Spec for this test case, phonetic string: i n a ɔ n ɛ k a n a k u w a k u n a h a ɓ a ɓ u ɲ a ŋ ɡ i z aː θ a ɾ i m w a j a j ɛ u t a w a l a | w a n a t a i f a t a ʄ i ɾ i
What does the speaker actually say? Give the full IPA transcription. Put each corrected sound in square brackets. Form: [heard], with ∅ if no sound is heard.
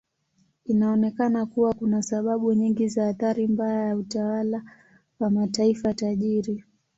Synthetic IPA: i n a ɔ n ɛ k a n a k u w a k u n a [s] a ɓ a ɓ u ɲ [i] ŋ ɡ i z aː θ a ɾ i m [b] a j a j [a] u t a w a l a | w a [m] a t a i f a t a ʄ i ɾ i